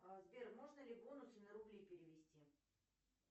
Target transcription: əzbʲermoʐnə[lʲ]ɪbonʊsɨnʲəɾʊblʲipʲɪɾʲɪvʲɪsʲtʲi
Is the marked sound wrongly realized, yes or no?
no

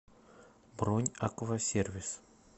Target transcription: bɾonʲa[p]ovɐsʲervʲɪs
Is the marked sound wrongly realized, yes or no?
yes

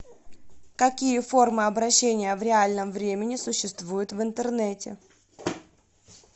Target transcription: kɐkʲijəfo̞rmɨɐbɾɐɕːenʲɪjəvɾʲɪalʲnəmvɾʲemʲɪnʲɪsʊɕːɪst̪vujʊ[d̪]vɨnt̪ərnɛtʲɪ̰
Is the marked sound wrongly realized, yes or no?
yes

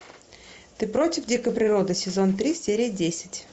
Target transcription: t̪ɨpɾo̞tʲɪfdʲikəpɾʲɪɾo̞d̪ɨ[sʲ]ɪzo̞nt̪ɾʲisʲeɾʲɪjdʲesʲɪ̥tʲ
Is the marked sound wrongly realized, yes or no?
no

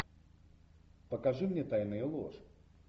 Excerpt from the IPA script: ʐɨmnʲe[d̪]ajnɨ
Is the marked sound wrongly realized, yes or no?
yes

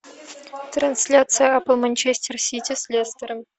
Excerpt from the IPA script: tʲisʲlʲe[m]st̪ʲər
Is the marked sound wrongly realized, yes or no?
yes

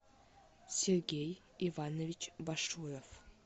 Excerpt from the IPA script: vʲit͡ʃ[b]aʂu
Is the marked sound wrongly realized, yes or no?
no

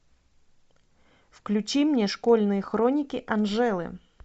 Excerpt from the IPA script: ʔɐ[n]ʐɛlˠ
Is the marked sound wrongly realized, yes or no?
no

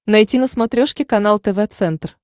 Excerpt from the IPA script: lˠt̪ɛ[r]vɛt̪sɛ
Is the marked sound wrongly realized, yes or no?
yes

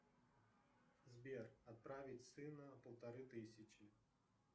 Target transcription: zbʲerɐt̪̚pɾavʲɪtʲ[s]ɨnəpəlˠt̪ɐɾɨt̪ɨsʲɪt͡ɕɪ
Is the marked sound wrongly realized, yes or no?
no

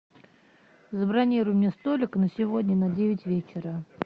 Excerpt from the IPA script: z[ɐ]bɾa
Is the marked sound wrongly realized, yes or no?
yes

